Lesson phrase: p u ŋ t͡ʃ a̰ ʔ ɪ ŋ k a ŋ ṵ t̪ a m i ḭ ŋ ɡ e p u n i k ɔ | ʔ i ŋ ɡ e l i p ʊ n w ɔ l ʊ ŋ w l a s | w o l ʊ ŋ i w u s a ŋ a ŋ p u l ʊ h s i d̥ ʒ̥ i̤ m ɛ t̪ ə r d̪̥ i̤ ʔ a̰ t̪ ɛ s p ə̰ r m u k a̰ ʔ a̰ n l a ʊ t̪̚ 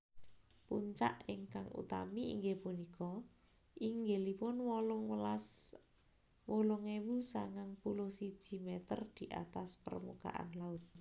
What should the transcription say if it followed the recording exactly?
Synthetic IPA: p u ɲ t͡ʃ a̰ ʔ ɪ ŋ k a ŋ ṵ t̪ a m i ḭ ŋ ɡ e p u n i k ɔ | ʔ i ŋ ɡ e l i p ʊ n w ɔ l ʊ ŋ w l a s | w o l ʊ ŋ e w u s a ŋ a ŋ p u l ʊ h s i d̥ ʒ̥ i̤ m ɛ t̪ ə r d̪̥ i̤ ʔ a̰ t̪ a s p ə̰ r m u k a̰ ʔ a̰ n l a ʊ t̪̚